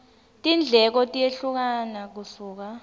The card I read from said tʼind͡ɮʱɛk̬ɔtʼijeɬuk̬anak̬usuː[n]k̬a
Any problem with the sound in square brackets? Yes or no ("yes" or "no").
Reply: yes